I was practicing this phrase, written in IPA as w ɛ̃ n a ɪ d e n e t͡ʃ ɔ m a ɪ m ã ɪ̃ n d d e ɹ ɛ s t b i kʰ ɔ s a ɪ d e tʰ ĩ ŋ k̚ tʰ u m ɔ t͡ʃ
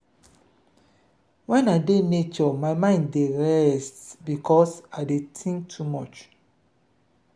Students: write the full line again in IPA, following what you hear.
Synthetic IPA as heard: w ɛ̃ n a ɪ d e n e t͡ʃ ɔ m a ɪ m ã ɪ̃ n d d e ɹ ɛ s t b i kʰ ɔ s a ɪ d e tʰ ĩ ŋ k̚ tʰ u m ɔ t͡ʃ